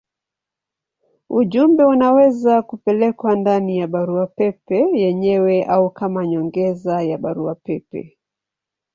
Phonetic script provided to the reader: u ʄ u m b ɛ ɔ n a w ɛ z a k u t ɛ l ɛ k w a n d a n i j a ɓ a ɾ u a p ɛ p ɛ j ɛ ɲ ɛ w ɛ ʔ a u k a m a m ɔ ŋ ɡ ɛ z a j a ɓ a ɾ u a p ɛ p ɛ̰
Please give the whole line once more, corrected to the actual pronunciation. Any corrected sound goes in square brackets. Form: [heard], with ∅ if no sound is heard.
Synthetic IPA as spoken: u ʄ u m b ɛ [u] n a w ɛ z a k u [p] ɛ l ɛ k w a n d a n i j a ɓ a ɾ u a p ɛ p ɛ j ɛ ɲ ɛ w ɛ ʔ a u k a m a [ɲ] ɔ ŋ ɡ ɛ z a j a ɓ a ɾ u a p ɛ p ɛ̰